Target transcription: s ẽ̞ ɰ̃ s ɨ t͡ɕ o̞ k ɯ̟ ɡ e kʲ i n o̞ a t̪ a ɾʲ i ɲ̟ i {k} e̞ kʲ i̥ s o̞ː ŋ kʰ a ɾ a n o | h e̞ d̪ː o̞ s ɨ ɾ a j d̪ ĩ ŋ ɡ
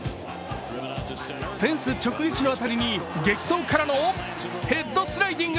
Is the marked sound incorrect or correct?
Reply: incorrect